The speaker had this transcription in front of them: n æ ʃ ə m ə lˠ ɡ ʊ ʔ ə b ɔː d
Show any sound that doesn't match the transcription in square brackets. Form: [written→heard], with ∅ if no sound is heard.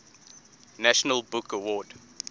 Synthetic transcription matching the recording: n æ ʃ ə [m→n] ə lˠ [ɡ→b] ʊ [ʔ→k] ə [b→w] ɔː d